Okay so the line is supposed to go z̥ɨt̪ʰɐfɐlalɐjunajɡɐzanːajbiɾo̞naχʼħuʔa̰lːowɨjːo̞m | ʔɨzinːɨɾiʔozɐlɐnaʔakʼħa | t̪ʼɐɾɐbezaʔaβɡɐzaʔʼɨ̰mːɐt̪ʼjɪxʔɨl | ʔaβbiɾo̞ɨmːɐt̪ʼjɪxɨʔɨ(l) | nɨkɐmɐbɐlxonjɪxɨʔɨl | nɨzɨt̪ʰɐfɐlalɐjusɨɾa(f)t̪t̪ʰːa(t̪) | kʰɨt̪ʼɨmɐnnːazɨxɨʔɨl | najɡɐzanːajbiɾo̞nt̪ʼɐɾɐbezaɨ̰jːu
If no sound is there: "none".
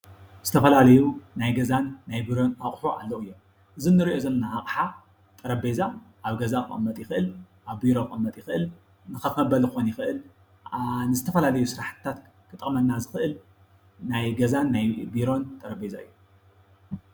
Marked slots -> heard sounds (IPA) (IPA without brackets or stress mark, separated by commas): l, ħ, t̪